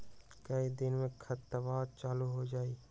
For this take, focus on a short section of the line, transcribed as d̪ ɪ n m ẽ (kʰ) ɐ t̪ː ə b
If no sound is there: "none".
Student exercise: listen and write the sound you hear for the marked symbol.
kʰ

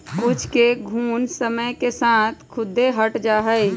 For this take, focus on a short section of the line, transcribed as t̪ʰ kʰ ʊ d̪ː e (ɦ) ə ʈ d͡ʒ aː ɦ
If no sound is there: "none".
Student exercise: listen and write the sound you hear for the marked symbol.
ɦ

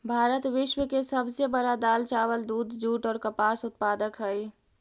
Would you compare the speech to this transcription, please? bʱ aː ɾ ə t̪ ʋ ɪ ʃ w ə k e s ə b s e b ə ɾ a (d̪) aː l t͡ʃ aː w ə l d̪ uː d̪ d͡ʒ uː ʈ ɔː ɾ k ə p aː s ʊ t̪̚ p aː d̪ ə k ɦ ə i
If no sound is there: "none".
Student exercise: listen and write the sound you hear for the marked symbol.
d̪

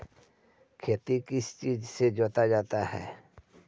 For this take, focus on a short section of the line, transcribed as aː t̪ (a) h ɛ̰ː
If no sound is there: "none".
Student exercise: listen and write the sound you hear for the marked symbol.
a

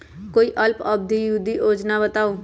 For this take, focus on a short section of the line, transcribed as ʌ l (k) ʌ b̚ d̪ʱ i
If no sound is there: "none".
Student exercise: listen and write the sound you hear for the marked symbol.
p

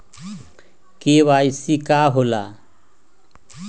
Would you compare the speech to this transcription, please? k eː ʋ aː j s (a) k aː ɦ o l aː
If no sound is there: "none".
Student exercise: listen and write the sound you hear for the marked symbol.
i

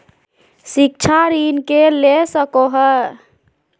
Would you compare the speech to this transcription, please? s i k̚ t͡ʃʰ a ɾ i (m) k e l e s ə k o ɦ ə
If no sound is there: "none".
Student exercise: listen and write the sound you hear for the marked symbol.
n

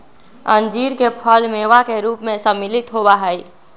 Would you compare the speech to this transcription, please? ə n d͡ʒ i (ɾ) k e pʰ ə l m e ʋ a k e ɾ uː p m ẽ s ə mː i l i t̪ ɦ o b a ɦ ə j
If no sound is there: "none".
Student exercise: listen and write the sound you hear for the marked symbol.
ɾ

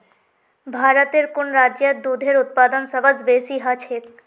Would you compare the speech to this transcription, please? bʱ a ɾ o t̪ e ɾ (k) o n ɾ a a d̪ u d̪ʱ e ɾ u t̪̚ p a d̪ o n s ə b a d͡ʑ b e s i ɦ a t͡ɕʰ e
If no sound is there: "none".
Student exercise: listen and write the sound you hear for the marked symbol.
k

